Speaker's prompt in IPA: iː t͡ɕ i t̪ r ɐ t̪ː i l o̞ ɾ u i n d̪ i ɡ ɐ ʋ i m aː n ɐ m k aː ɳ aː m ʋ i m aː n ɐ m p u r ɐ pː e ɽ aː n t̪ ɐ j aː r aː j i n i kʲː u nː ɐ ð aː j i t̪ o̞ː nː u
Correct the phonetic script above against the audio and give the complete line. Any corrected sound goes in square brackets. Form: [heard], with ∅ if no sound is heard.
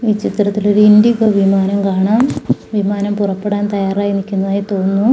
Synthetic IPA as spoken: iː t͡ɕ i t̪ r ɐ t̪ː i l o̞ ɾ u i n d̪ i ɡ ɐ ʋ i m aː n ɐ m k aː ɳ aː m ʋ i m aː n ɐ m p u r ɐ pː e ɽ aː n t̪ ɐ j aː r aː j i n i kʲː u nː ɐ ð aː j i t̪ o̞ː nː u